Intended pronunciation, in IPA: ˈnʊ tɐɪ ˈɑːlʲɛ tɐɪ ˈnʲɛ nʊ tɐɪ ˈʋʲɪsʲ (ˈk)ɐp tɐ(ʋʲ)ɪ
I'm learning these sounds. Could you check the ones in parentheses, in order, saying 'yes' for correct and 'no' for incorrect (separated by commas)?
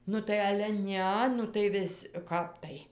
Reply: yes, no